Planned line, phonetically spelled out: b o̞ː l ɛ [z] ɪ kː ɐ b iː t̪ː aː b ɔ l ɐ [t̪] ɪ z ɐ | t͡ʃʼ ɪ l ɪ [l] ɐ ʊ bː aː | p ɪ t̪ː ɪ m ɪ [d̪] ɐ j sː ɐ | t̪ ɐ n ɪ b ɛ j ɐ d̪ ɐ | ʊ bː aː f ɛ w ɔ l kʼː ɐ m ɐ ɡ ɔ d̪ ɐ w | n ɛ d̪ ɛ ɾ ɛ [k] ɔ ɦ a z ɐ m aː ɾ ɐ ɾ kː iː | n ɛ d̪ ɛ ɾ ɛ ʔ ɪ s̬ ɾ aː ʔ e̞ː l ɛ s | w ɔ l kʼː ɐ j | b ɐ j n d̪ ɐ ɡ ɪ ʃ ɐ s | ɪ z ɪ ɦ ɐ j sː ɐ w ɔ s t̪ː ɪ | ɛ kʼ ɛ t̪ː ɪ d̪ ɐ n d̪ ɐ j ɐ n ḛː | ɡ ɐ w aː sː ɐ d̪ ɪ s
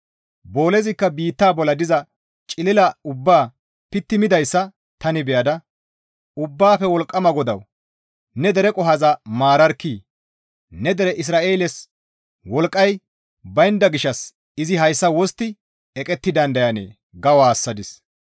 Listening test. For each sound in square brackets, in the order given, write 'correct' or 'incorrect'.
correct, incorrect, correct, correct, incorrect

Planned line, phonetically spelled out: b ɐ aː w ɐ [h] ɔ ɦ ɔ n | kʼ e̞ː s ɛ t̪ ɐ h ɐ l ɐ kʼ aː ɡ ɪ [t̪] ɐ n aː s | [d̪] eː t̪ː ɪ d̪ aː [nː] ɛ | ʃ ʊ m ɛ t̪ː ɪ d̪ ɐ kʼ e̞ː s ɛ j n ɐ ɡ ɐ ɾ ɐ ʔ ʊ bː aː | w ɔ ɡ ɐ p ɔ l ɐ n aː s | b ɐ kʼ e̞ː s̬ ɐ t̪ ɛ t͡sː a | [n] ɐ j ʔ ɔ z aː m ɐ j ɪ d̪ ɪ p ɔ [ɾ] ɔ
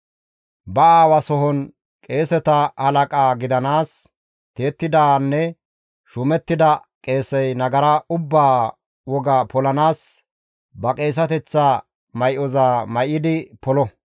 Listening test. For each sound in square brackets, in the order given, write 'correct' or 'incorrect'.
incorrect, incorrect, incorrect, correct, incorrect, incorrect

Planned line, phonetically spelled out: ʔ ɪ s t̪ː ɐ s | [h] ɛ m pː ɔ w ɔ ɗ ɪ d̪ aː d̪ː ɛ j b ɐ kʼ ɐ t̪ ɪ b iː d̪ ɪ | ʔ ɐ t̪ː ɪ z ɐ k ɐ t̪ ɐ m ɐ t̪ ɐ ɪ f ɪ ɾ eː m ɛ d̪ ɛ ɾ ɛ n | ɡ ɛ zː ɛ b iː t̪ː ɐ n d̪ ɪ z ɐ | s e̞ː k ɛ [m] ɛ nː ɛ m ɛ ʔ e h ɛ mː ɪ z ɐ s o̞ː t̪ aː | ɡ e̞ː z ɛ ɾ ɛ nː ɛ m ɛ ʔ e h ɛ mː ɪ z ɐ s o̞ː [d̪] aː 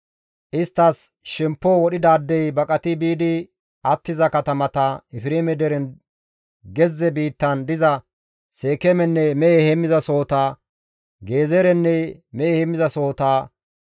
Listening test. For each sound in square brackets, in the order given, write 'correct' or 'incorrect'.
incorrect, correct, incorrect

